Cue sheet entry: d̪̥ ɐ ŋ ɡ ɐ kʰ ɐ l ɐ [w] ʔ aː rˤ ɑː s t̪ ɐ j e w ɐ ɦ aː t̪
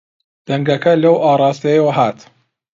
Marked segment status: correct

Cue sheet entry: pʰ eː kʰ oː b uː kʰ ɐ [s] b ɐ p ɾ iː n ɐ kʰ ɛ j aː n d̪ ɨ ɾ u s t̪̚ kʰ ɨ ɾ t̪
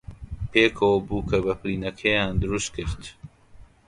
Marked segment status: incorrect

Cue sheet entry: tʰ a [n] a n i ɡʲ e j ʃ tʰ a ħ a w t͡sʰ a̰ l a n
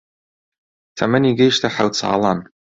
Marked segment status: incorrect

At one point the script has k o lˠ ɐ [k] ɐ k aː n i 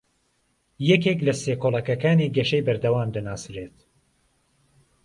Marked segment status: correct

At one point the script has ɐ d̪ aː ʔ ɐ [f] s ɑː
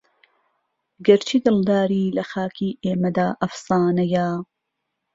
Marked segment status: correct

